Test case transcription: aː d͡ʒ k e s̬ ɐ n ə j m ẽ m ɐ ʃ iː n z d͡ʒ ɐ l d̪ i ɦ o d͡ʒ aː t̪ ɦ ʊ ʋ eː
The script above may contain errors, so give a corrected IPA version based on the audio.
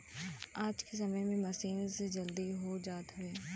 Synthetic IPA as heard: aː d͡ʒ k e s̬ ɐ m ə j m ẽ m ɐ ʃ iː n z d͡ʒ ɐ l d̪ i ɦ o d͡ʒ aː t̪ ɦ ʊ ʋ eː